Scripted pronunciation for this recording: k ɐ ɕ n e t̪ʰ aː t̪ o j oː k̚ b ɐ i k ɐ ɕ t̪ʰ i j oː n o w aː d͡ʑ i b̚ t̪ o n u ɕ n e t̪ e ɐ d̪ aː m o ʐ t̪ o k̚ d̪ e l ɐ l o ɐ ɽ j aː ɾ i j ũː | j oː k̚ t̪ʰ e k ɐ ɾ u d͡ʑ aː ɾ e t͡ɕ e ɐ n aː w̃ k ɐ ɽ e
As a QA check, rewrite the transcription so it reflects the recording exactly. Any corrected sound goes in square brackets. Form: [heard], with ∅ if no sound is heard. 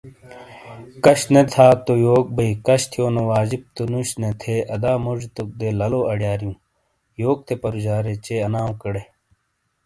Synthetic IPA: k ɐ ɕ n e t̪ʰ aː t̪ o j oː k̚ b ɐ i k ɐ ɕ t̪ʰ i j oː n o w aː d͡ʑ i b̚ t̪ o n u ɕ n e [t̪ʰ] e ɐ d̪ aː m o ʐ t̪ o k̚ d̪ e l ɐ l o ɐ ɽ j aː ɾ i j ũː | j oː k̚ t̪ʰ e [p] ɐ ɾ u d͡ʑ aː ɾ e t͡ɕ e ɐ n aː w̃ k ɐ ɽ e